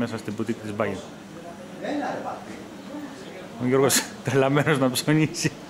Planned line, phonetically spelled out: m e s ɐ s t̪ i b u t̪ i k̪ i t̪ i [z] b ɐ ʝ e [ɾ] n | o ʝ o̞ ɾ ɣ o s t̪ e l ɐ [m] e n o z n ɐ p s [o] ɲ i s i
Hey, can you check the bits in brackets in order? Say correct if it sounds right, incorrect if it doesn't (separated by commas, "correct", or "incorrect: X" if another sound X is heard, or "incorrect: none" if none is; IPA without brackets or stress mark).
correct, incorrect: none, correct, correct